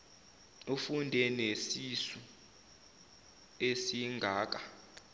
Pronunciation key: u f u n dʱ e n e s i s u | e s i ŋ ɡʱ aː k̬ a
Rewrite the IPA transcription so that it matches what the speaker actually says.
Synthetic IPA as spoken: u f u n dʱ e n e s i s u | e s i ŋ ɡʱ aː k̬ a